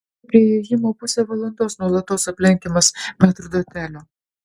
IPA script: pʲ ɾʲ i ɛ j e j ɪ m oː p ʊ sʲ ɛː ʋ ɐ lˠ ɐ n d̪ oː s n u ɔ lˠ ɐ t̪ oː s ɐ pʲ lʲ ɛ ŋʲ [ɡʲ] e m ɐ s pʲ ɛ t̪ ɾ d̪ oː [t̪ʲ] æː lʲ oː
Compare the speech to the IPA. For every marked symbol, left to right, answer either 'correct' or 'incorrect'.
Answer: incorrect, correct

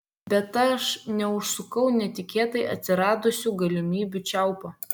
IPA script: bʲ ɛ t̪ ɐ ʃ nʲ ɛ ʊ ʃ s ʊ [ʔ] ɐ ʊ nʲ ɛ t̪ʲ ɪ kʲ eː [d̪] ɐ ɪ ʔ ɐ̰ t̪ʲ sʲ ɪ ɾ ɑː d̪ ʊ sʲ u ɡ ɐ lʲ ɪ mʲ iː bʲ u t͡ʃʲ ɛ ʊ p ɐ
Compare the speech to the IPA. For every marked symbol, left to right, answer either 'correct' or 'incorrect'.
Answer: incorrect, incorrect

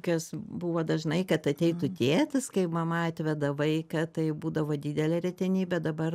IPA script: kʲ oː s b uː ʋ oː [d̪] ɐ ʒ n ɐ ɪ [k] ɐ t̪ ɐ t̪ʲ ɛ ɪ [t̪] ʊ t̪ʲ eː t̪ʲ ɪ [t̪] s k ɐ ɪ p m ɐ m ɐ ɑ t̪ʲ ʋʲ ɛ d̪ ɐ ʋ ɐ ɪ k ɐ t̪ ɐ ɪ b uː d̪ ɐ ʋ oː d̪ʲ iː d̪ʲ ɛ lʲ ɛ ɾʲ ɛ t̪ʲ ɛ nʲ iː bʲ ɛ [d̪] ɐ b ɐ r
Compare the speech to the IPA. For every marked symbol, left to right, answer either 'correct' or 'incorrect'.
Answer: correct, correct, correct, incorrect, correct

